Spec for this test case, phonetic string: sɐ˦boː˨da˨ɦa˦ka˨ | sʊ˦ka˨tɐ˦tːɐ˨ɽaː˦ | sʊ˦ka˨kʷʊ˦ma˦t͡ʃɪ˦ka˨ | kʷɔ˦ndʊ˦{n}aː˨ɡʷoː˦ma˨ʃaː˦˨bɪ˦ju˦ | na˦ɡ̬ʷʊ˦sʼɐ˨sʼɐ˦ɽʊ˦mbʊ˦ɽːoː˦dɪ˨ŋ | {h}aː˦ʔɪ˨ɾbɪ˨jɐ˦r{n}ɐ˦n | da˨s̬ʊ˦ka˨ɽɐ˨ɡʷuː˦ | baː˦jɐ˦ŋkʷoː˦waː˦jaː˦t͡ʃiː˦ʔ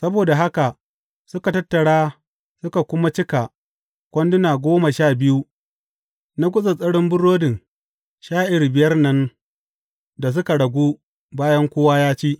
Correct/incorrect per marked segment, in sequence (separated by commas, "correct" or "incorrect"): correct, incorrect, correct